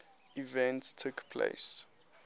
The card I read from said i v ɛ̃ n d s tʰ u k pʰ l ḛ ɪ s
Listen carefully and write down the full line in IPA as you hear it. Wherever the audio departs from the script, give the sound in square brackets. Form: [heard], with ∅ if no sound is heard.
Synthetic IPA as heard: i v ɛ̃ n [t] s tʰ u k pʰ l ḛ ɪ s